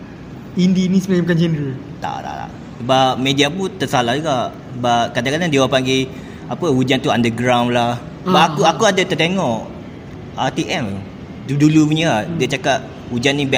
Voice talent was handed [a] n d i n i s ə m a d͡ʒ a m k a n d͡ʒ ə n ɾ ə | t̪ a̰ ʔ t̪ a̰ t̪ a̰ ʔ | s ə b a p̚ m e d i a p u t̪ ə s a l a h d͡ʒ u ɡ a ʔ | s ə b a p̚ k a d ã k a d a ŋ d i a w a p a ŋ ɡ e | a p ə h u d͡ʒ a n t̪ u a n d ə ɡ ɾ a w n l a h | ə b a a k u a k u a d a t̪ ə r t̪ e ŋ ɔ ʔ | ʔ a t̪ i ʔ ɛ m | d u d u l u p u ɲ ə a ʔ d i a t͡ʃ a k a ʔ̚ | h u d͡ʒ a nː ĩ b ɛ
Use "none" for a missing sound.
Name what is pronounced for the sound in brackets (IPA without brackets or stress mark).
i